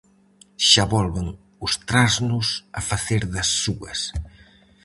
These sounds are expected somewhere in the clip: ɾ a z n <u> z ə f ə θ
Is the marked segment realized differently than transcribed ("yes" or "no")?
no